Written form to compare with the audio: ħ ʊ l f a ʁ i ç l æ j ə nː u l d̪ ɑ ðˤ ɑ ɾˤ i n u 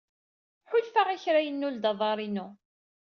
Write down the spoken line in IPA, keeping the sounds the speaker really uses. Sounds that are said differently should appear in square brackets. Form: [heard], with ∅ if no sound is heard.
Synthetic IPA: ħ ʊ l f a ʁ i ç [ɾ] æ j ə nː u l d̪ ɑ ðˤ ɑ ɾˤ i n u